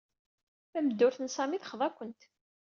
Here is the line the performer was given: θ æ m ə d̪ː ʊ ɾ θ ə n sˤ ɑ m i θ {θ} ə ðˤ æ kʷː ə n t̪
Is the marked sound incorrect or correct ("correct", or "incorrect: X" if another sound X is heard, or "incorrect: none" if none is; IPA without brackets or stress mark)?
incorrect: χ